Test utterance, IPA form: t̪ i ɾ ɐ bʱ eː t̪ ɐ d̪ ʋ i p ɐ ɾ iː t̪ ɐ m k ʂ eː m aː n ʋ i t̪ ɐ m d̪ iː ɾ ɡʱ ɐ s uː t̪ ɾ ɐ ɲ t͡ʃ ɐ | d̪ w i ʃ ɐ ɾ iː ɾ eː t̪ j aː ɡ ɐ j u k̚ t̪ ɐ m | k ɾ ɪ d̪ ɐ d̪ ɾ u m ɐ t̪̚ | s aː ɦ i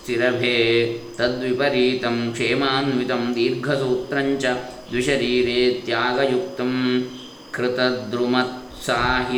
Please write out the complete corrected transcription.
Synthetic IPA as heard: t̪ i ɾ ɐ bʱ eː t̪ ɐ d̪ ʋ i p ɐ ɾ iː t̪ ɐ m k ʂ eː m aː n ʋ i t̪ ɐ m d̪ iː ɾ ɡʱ ɐ s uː t̪ ɾ ɐ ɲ t͡ʃ ɐ | d̪ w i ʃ ɐ ɾ iː ɾ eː t̪ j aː ɡ ɐ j u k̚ t̪ ɐ m | k ɾ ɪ t̪ ɐ d̪ ɾ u m ɐ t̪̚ | s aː ɦ i